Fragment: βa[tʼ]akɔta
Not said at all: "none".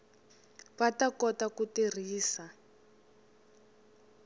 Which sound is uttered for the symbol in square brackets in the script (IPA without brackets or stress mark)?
t